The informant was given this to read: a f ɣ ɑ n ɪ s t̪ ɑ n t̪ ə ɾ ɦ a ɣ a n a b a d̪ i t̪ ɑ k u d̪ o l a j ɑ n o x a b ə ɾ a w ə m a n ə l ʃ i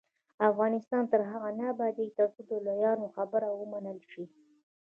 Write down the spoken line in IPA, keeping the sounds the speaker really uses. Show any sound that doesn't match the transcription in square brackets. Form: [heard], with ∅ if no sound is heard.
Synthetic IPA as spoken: a f ɣ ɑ n ɪ s t̪ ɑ n t̪ ə ɾ ɦ a ɣ a n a b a d̪ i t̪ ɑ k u d̪ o l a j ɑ n o x a b ə ɾ a w ə m a n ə l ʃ i

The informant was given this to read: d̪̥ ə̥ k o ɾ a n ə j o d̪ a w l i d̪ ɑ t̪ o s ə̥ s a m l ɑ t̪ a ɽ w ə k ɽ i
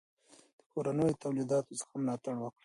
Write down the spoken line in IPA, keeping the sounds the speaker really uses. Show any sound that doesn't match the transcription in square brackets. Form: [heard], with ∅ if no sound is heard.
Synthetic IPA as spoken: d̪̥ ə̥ k o ɾ a n ə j o [t̪] a w l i d̪ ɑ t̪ o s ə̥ [x] a m l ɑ t̪ a ɽ w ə k ɽ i

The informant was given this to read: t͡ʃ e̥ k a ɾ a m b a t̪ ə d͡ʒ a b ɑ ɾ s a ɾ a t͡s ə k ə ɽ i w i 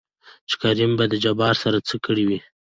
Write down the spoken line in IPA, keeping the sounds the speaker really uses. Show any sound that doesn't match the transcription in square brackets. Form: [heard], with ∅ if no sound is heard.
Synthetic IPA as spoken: t͡ʃ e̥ k a ɾ [i] m b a [d̪] ə d͡ʒ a b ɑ ɾ s a ɾ a t͡s ə k ə ɽ i w i

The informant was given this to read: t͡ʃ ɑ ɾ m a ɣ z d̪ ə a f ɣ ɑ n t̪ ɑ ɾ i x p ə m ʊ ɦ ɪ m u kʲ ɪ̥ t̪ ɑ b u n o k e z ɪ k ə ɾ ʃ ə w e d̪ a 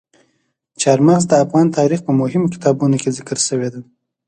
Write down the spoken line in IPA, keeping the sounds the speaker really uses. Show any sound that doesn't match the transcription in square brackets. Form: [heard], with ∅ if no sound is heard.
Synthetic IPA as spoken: t͡ʃ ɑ ɾ m a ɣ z d̪ ə a f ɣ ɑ n t̪ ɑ ɾ i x p ə m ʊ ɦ ɪ m [o] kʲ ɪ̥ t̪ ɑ b u n o k e z ɪ k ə ɾ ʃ ə w e d̪ a

